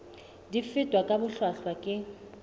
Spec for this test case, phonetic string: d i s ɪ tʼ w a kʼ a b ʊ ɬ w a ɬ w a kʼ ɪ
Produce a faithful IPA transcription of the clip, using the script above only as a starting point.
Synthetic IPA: d i f ɪ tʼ w a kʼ a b ʊ ɬ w a ɬ w a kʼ ɪ